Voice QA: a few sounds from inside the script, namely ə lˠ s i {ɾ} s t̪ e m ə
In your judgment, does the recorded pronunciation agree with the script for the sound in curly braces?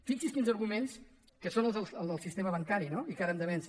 no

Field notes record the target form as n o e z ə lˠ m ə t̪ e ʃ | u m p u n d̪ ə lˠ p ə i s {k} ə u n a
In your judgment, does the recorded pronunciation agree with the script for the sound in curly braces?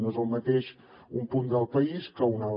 yes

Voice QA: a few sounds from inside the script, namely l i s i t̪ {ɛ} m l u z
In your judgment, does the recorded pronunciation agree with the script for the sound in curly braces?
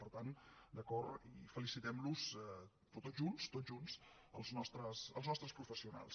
yes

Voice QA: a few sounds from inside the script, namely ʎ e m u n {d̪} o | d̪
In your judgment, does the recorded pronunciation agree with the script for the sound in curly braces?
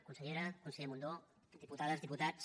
yes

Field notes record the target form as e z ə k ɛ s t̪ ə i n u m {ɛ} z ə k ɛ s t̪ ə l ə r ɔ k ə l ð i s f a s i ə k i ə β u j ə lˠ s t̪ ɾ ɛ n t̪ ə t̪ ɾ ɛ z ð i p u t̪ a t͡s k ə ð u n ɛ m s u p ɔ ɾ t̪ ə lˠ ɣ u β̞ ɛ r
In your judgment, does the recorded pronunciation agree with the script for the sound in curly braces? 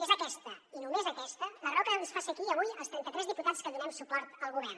no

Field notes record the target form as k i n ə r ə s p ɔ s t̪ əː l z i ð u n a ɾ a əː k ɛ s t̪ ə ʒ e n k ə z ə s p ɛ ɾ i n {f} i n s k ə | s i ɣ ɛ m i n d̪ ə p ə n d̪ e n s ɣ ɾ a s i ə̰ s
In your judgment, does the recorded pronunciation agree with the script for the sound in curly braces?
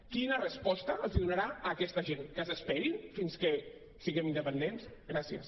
yes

